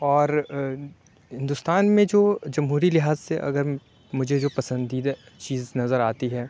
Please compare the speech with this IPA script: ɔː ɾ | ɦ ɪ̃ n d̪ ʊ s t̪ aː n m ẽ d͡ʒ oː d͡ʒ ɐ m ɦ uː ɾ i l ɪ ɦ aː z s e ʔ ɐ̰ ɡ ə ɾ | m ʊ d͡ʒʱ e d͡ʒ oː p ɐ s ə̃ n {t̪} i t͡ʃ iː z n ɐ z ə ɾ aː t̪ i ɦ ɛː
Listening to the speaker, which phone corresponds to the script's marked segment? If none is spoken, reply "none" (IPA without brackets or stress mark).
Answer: d̪